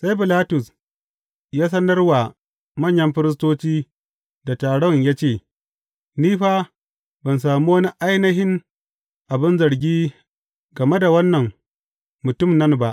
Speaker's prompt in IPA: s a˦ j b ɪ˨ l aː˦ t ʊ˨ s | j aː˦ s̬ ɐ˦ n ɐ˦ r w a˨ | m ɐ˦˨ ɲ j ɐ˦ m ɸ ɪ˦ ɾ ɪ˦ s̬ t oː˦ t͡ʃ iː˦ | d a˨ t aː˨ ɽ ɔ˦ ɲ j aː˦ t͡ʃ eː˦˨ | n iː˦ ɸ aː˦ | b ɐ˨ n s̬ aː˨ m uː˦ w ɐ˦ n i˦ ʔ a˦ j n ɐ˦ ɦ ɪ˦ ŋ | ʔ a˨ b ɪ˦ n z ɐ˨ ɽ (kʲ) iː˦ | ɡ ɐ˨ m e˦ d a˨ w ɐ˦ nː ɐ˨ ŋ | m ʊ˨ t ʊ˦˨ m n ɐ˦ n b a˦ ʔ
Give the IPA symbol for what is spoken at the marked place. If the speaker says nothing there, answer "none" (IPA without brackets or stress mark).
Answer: ɡʲ